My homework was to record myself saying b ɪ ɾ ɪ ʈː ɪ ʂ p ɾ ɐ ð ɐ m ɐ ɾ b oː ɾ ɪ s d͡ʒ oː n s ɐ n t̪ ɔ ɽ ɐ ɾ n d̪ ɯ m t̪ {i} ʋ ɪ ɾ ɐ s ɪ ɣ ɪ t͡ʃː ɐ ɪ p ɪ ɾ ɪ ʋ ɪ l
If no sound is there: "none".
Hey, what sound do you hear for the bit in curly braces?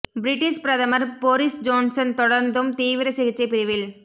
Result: iː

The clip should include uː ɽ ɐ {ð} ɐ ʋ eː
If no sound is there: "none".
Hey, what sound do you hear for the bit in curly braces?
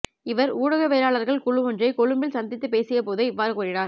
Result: ɣ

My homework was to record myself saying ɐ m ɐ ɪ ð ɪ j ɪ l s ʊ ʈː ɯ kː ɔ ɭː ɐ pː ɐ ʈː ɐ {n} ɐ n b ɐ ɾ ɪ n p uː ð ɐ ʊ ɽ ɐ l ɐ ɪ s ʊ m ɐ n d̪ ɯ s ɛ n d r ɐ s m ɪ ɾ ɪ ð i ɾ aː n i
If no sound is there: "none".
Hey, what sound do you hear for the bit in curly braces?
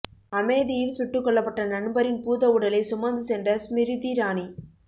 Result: n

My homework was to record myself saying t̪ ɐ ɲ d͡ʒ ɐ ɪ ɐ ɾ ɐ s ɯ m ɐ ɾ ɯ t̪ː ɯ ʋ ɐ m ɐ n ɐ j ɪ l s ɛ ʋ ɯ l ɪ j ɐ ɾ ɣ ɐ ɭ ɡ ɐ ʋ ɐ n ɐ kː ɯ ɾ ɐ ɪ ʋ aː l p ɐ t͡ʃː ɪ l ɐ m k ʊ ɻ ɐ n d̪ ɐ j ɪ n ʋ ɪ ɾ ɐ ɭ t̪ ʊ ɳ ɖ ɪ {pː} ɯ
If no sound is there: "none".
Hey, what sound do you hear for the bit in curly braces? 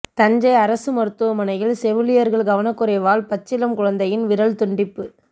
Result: pː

